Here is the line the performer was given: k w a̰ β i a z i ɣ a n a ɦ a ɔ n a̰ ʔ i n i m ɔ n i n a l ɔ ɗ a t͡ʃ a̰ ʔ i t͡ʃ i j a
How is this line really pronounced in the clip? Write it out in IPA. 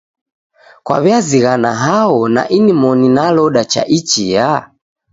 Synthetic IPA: k w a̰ β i a z i ɣ a n a ɦ a ɔ n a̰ ʔ i n i m ɔ n i n a l ɔ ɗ a t͡ʃ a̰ ʔ i t͡ʃ i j a